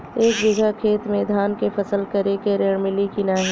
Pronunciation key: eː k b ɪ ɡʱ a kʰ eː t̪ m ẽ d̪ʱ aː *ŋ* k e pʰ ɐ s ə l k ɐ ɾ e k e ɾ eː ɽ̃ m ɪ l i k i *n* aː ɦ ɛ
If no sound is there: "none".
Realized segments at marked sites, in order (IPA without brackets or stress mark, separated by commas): n, n